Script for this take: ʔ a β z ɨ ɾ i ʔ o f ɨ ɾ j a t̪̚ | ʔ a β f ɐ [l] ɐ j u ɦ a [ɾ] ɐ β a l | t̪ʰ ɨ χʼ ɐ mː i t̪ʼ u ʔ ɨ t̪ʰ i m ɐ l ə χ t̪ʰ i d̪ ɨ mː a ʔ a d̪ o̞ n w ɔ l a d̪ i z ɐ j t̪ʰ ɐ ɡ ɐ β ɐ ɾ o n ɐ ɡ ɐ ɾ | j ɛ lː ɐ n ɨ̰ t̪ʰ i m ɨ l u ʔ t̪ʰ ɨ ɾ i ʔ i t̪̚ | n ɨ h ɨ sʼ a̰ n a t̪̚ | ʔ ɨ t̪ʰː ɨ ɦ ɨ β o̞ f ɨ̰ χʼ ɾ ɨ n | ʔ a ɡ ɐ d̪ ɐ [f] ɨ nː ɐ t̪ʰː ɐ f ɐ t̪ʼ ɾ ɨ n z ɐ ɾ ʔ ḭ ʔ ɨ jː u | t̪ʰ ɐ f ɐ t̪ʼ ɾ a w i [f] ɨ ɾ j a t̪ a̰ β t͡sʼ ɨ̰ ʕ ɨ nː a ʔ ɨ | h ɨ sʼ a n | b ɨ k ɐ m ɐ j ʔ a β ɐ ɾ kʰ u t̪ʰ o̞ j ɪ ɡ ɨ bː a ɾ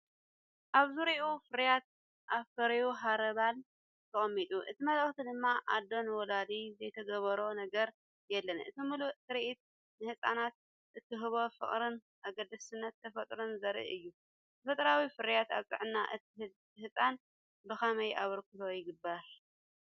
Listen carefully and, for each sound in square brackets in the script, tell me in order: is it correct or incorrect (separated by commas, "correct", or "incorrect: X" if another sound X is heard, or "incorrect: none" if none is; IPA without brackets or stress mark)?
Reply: incorrect: ɾ, correct, incorrect: s, correct